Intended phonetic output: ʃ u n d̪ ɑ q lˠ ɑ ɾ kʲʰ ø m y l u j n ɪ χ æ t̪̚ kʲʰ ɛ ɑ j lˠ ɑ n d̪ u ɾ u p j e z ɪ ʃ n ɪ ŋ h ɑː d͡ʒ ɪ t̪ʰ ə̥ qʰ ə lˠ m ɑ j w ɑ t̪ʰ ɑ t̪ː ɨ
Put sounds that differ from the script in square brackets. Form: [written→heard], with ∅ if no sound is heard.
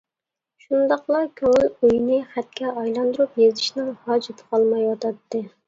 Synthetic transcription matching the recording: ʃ u n d̪ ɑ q lˠ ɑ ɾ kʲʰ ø [m→ŋ] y l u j n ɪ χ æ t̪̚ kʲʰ ɛ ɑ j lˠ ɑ n d̪ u ɾ u p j e z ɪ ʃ n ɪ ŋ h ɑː d͡ʒ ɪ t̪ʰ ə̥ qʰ [ə→ɑ] lˠ m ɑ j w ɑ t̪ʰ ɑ t̪ː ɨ